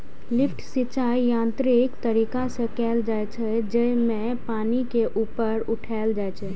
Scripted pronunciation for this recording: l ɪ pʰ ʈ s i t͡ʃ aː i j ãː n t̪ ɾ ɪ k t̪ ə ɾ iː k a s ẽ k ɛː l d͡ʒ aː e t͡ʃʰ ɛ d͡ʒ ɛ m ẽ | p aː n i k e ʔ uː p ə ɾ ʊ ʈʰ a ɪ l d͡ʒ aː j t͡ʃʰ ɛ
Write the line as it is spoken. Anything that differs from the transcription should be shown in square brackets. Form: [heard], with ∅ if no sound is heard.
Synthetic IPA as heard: l ɪ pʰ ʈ s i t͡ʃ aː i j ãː n t̪ ɾ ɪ k t̪ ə ɾ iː k a s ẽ k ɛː l d͡ʒ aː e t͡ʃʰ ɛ d͡ʒ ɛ m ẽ | p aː n i k e ʔ uː p ə ɾ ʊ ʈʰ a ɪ l d͡ʒ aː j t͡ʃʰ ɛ